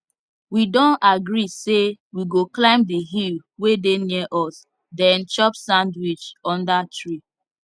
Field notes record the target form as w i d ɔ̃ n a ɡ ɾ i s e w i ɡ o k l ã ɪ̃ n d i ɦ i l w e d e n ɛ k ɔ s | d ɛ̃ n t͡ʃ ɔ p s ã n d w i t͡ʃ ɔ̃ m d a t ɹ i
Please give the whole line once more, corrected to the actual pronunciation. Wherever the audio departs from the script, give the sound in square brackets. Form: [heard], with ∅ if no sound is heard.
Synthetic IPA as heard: w i d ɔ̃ n a ɡ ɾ i s e w i ɡ o k l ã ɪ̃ [m] d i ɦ i l w e d e n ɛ [ʔ] ɔ s | d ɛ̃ n t͡ʃ ɔ p s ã n d w i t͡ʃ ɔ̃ [n] d a t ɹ i